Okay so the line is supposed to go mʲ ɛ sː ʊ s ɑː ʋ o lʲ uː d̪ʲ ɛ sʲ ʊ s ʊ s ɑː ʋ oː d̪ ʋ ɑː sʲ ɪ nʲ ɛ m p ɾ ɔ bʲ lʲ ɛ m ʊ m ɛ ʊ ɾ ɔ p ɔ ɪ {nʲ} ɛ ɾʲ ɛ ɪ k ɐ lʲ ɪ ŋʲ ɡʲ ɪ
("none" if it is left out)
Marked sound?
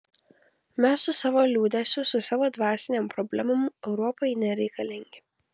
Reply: nʲ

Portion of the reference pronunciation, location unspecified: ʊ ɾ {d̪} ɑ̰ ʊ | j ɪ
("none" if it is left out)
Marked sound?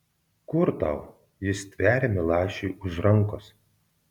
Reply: t̪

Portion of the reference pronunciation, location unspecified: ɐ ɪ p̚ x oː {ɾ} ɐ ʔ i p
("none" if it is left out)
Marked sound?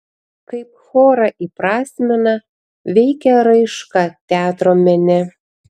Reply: ɾ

